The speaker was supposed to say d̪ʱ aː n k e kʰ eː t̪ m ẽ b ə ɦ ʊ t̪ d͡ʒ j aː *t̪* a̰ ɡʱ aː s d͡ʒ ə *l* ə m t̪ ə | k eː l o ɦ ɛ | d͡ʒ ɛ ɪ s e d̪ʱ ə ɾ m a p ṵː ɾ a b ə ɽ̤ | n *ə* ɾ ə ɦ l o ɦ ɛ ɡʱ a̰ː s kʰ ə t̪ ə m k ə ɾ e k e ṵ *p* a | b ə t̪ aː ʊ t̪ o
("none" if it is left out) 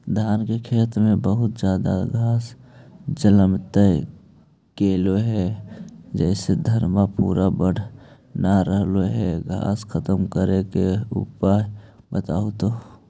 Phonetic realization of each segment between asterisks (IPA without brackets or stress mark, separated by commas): d̪, l, a, p